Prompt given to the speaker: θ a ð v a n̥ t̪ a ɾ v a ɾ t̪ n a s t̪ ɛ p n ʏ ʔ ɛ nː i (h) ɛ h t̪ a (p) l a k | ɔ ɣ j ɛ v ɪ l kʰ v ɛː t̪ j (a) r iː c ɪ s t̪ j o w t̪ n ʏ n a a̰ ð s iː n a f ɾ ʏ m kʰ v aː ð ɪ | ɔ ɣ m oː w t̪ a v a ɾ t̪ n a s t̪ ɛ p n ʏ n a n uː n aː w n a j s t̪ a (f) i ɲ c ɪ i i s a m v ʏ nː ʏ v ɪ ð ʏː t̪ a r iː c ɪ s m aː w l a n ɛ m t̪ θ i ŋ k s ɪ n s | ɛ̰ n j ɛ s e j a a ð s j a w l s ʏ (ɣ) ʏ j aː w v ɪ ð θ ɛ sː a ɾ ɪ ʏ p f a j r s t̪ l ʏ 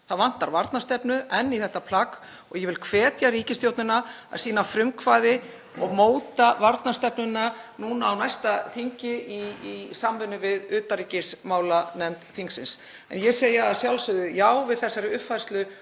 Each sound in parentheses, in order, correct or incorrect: incorrect: θ, incorrect: pʰ, correct, incorrect: θ, incorrect: ð

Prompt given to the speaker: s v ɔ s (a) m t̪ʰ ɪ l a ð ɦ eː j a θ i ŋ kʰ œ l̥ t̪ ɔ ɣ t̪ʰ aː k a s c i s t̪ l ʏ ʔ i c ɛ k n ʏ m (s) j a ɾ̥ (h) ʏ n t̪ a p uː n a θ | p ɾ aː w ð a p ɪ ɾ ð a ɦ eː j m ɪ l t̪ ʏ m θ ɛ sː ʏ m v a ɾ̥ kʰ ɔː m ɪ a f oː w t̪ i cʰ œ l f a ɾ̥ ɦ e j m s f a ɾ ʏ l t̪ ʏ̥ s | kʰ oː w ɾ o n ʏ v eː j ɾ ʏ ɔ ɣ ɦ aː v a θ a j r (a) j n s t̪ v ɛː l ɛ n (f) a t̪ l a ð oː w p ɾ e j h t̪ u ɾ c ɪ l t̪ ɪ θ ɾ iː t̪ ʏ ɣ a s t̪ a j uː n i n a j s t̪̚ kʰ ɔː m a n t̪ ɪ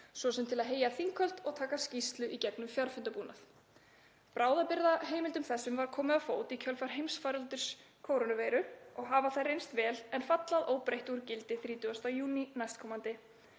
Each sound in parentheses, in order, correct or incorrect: incorrect: ɛ, incorrect: f, incorrect: f, incorrect: e, correct

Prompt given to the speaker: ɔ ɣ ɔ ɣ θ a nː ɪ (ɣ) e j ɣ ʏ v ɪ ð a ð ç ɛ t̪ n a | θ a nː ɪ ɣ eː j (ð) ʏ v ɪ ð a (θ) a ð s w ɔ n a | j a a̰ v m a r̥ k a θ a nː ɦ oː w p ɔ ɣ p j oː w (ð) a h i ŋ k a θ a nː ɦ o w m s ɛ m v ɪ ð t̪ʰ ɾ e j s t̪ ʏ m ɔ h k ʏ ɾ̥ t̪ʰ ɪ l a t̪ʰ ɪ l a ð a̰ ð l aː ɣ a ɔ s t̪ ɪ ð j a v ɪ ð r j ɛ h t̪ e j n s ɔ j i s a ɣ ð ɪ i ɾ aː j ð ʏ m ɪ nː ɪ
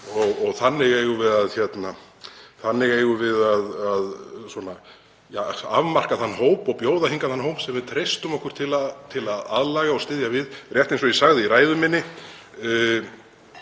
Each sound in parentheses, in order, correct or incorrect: correct, incorrect: ɣ, incorrect: ð, correct

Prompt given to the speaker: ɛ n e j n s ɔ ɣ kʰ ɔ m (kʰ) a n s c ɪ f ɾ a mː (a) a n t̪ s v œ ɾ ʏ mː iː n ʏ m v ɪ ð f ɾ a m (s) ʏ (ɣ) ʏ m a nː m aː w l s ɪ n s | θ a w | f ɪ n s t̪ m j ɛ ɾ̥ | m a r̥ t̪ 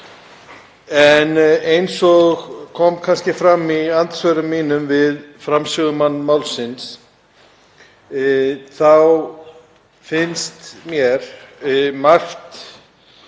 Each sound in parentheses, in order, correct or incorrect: correct, incorrect: i, correct, correct

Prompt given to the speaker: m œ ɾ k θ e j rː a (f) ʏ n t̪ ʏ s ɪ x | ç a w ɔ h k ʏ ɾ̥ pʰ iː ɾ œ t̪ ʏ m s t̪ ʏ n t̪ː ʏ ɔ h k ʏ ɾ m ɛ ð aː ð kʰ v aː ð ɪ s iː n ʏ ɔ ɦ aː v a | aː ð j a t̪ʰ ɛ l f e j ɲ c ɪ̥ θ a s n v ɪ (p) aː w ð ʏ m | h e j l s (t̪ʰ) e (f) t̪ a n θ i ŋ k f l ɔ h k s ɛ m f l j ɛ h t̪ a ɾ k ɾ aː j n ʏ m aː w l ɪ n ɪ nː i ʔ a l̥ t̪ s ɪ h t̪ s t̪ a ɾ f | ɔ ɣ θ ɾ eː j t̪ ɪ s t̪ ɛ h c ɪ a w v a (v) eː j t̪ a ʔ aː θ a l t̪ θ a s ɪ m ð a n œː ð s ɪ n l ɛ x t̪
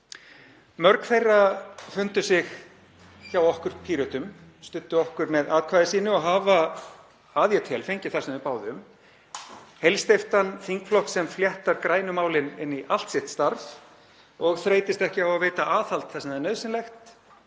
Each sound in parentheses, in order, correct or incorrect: correct, correct, incorrect: t̪, correct, correct

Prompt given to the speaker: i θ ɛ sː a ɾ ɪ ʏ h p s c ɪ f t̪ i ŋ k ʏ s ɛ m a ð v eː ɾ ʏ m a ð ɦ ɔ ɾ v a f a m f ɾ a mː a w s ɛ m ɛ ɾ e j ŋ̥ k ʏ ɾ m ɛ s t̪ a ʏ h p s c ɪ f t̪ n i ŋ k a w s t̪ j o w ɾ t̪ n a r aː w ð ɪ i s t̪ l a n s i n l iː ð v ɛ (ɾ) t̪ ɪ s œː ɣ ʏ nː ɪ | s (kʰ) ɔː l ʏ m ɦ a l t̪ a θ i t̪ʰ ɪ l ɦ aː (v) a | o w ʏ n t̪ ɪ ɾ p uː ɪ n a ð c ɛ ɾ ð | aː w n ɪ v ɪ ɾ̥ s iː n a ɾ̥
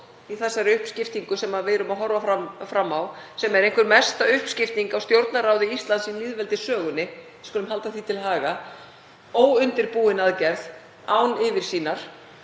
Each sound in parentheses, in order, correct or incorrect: incorrect: l, incorrect: k, incorrect: ɣ

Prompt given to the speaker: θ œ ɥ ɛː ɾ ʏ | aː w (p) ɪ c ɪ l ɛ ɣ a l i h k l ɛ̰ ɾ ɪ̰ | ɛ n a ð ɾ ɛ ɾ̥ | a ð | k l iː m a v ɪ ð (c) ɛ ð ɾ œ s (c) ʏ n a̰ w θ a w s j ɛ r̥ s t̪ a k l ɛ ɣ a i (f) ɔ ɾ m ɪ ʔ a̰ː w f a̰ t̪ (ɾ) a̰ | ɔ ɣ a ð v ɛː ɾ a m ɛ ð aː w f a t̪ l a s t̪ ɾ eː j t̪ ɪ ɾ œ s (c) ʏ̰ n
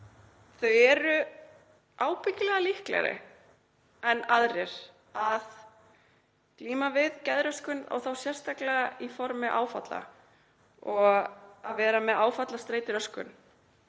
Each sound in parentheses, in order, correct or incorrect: correct, correct, incorrect: k, correct, incorrect: l, incorrect: k

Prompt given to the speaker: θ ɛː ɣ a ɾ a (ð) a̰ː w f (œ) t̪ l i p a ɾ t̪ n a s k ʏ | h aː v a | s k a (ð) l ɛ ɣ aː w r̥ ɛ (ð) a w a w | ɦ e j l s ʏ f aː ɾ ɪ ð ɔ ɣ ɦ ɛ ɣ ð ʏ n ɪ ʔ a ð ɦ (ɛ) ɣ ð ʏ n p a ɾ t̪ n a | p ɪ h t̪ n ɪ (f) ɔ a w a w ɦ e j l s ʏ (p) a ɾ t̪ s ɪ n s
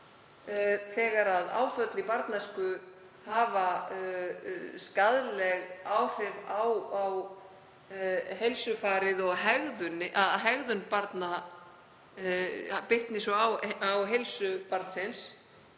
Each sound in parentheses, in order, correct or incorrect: correct, correct, correct, incorrect: v, correct, incorrect: s, correct

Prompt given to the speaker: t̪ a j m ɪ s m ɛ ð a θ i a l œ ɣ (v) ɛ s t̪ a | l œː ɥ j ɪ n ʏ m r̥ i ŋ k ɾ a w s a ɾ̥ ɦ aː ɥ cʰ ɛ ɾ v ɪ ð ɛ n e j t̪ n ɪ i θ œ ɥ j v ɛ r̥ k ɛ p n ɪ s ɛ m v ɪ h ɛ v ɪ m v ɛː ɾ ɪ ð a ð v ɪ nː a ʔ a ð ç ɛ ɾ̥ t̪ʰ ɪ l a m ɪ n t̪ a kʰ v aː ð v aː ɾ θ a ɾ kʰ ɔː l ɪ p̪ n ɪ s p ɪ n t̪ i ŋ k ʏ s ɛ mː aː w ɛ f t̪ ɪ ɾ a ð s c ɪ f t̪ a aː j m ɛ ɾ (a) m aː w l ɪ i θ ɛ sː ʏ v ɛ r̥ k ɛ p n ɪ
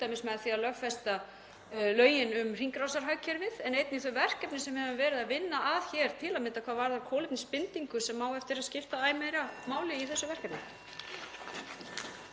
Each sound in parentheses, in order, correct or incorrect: incorrect: f, correct

